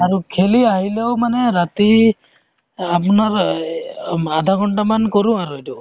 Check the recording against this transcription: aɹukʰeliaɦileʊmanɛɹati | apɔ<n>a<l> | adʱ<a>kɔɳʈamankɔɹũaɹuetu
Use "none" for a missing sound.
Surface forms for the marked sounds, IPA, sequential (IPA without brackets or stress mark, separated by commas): n, ɹ, a